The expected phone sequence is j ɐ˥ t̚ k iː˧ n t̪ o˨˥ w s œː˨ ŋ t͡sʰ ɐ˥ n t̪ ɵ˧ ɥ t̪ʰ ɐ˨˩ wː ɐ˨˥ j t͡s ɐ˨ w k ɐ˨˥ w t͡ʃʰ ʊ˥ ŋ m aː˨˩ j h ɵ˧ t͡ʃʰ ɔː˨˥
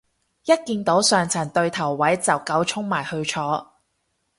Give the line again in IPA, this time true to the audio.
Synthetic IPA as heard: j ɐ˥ t̚ k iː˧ n t̪ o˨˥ w s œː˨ ŋ t͡sʰ ɐ˨˩ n t̪ ɵ˧ ɥ t̪ʰ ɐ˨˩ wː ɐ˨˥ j t͡s ɐ˨ w k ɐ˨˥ w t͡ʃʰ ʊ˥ ŋ m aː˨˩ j h ɵ˧ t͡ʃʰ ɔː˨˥